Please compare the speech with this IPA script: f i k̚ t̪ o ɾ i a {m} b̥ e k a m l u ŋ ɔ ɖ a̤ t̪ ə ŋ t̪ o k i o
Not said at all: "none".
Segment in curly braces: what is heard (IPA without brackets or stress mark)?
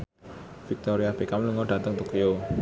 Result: none